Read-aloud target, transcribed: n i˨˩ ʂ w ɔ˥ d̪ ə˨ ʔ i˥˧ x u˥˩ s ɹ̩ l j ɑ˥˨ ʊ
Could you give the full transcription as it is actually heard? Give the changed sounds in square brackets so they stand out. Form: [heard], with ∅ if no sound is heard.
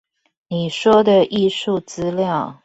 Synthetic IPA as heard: n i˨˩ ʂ w ɔ˥ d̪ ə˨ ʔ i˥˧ [ʂ] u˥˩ [t͡s] ɹ̩ l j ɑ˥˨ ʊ

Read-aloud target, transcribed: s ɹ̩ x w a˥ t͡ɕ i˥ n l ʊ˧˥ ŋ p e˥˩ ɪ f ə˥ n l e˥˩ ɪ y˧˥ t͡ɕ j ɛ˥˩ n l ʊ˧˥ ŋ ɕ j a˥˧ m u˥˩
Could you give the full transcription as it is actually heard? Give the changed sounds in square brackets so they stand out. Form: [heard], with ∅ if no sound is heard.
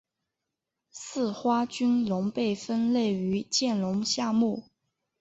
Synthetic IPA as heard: s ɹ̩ x w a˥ t͡ɕ [y˥] n l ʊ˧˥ ŋ p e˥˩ ɪ f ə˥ n l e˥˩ ɪ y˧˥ t͡ɕ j ɛ˥˩ n l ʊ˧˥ ŋ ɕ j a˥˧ m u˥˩

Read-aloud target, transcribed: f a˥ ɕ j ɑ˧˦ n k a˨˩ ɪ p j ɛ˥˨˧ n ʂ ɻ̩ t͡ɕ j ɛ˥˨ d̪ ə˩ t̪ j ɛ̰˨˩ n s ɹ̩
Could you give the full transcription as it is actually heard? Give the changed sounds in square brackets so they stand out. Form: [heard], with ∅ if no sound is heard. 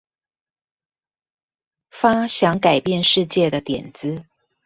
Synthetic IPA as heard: f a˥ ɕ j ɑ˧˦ [ŋ] k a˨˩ ɪ p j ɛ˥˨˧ n ʂ ɻ̩ t͡ɕ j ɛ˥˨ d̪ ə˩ t̪ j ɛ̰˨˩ n [t͡s] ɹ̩

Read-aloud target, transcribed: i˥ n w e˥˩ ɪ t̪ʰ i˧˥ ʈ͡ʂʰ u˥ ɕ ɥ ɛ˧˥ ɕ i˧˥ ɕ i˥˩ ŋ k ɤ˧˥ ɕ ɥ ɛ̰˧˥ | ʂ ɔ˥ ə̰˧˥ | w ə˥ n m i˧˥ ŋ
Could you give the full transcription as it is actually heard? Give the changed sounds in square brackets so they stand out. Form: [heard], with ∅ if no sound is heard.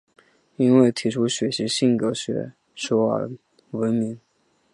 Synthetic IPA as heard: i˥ n w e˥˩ ɪ t̪ʰ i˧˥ ʈ͡ʂʰ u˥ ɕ ɥ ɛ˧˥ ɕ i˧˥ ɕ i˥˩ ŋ k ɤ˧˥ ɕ ɥ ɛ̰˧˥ | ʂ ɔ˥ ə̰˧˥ | w [ə˧˥] n m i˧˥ ŋ

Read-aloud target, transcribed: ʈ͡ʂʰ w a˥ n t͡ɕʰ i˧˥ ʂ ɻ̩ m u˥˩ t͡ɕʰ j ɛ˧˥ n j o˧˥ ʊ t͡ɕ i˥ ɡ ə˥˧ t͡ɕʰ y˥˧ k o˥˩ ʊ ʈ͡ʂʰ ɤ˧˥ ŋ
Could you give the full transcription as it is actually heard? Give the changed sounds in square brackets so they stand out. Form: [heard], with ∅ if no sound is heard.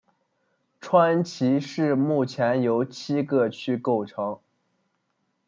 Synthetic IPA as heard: ʈ͡ʂʰ w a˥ n t͡ɕʰ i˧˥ ʂ ɻ̩ m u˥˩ t͡ɕʰ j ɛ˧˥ n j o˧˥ ʊ [t͡ɕʰ] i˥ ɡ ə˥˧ t͡ɕʰ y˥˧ k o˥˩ ʊ ʈ͡ʂʰ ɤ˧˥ ŋ

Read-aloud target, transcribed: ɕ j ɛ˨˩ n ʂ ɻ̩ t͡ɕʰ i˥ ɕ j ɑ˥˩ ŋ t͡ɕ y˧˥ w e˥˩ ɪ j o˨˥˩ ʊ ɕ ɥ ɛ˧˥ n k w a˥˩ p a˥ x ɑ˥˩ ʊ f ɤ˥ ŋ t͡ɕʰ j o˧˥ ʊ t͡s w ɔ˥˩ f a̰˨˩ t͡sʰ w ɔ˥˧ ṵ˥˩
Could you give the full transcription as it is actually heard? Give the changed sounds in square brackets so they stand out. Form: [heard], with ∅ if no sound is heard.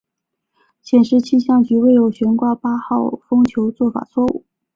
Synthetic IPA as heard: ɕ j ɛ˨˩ n ʂ ɻ̩ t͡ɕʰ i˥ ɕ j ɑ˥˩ ŋ t͡ɕ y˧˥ w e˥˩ ɪ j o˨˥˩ ʊ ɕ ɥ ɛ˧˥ n k w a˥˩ p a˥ x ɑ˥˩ ʊ f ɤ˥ ŋ t͡ɕʰ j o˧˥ ʊ t͡s w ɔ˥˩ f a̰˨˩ t͡sʰ w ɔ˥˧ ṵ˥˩

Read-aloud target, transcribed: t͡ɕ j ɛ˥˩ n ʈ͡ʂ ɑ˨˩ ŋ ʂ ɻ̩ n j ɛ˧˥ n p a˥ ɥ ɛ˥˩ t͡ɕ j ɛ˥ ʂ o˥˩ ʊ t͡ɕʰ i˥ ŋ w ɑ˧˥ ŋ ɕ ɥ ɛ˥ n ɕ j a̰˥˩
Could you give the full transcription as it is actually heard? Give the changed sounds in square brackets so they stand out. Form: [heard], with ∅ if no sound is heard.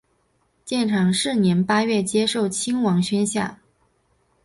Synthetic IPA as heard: t͡ɕ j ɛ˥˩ n [ʈ͡ʂʰ] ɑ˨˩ ŋ ʂ ɻ̩ n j ɛ˧˥ n p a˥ ɥ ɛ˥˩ t͡ɕ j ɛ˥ ʂ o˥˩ ʊ t͡ɕʰ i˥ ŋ w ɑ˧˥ ŋ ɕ ɥ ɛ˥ n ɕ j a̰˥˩

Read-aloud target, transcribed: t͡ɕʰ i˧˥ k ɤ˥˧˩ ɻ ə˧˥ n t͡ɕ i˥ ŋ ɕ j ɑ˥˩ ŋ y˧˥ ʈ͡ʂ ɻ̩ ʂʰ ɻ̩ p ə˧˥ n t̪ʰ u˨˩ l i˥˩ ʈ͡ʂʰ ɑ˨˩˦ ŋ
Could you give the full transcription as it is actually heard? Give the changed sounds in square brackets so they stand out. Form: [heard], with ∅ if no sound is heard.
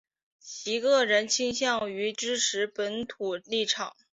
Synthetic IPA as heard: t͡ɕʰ i˧˥ k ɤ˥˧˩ ɻ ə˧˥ n [t͡ɕʰ] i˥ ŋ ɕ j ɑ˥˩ ŋ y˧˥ ʈ͡ʂ ɻ̩ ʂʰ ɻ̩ p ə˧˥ n t̪ʰ u˨˩ l i˥˩ ʈ͡ʂʰ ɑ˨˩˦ ŋ

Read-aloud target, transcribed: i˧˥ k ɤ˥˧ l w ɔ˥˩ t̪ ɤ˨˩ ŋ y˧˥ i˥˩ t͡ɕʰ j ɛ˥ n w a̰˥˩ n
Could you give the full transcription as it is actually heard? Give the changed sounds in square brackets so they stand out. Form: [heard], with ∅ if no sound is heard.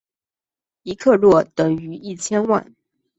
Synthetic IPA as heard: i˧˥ [kʰ] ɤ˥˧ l w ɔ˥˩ t̪ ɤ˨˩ ŋ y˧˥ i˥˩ t͡ɕʰ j ɛ˥ n w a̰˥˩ n

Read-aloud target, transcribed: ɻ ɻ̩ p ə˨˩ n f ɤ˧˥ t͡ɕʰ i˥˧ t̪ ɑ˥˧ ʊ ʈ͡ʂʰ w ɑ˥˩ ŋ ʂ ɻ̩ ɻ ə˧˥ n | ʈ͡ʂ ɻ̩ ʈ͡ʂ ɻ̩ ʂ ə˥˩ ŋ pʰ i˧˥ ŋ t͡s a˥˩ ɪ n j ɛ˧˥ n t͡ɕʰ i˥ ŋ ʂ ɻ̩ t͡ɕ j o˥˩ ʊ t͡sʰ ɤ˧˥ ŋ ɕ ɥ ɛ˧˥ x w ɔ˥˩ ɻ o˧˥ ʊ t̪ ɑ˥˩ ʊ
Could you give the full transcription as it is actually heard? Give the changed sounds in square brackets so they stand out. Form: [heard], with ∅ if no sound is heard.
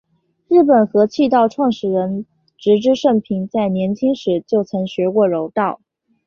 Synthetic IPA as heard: ɻ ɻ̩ p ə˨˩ n [x] ɤ˧˥ t͡ɕʰ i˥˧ t̪ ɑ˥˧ ʊ ʈ͡ʂʰ w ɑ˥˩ ŋ ʂ ɻ̩ ɻ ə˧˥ n | ʈ͡ʂ ɻ̩ ʈ͡ʂ ɻ̩ ʂ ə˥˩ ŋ pʰ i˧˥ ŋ t͡s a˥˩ ɪ n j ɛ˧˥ n t͡ɕʰ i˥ ŋ ʂ ɻ̩ t͡ɕ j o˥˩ ʊ t͡sʰ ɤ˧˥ ŋ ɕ ɥ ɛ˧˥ [k] w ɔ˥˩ ɻ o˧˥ ʊ t̪ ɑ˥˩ ʊ

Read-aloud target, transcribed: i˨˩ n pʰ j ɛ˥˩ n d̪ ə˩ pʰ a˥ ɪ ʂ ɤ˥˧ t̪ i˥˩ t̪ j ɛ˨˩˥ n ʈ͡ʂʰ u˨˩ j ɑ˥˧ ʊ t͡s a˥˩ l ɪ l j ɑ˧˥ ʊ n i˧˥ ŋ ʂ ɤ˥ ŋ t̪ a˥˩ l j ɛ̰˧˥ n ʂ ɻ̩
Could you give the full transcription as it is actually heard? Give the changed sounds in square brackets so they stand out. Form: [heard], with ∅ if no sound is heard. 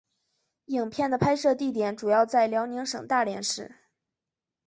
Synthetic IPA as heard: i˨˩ [ŋ] pʰ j ɛ˥˩ n d̪ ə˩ pʰ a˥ ɪ ʂ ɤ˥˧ t̪ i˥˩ t̪ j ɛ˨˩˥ n [ʈ͡ʂ] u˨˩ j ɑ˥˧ ʊ t͡s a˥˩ [∅] ɪ l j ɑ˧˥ ʊ n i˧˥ ŋ ʂ [ɤ˨˩] ŋ t̪ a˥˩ l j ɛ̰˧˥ n ʂ ɻ̩

